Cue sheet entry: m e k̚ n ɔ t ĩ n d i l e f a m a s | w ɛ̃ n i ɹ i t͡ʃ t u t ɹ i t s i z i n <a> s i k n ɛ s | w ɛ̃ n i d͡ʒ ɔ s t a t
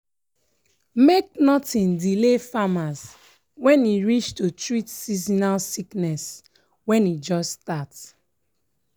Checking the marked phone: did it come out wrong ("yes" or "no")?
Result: no